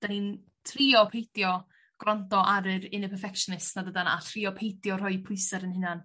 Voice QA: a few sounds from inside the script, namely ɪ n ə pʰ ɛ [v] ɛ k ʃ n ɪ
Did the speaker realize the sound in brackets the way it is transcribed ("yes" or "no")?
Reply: no